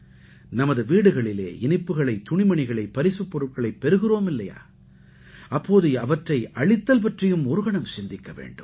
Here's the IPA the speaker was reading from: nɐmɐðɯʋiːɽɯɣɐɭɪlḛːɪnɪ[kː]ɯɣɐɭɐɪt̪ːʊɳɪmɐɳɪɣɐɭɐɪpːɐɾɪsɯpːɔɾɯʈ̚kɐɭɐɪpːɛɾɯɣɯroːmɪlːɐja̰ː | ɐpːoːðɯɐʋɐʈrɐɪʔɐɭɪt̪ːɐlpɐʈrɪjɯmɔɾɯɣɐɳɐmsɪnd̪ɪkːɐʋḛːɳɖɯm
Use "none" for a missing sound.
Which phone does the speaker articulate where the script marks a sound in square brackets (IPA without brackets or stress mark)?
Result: pː